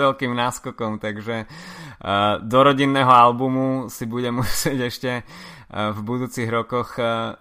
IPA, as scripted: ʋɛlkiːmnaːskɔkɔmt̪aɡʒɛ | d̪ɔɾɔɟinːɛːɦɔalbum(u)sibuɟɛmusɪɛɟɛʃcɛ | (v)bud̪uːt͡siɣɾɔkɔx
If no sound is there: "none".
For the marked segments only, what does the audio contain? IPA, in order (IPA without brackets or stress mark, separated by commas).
u, v